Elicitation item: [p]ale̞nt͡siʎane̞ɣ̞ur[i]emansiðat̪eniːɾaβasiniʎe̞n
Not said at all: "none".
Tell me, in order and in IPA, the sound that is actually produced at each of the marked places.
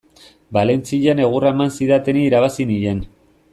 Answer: b, a

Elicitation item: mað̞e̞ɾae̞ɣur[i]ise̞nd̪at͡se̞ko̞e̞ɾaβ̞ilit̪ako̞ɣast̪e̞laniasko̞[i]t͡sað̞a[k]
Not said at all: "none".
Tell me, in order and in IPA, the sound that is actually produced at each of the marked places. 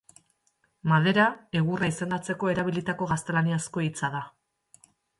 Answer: a, i, none

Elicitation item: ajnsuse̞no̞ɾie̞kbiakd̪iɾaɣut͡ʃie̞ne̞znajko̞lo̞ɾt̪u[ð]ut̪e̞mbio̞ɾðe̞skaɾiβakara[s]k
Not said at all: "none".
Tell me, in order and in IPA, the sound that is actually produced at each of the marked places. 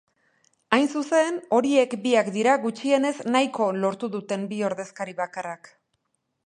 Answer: ð, none

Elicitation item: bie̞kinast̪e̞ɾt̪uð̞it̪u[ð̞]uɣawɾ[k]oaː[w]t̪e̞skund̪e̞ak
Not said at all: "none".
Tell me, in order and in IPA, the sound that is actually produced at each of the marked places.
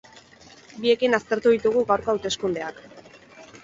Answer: ɣ̞, k, w

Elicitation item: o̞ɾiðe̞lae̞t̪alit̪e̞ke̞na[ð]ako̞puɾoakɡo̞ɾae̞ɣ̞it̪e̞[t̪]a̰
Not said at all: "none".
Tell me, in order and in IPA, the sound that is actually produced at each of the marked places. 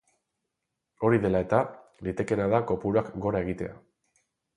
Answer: ð, none

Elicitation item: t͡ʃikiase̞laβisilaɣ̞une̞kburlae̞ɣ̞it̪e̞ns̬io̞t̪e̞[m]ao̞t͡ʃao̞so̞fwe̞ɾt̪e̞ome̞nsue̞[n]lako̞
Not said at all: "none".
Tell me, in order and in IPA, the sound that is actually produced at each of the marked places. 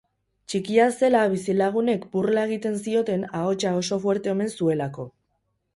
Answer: n, none

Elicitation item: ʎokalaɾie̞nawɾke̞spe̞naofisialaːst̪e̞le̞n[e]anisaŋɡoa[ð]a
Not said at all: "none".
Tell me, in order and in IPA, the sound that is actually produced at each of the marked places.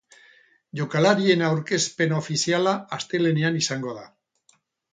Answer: e, ð

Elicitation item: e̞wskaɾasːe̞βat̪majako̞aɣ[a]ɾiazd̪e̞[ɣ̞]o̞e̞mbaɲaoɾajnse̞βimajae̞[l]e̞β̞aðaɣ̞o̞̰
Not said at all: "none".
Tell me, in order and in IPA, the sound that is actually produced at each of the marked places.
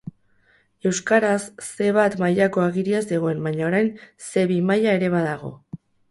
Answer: i, ɣ̞, ɾ

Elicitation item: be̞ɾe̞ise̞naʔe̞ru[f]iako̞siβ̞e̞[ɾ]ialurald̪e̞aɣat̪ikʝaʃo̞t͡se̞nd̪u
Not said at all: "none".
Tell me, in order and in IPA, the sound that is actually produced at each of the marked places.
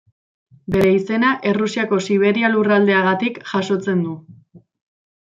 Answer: s, ɾ

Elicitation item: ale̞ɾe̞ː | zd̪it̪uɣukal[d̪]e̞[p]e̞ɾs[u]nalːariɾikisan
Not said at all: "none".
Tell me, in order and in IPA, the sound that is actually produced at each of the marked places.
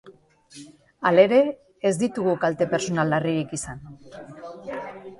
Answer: t̪, p, o

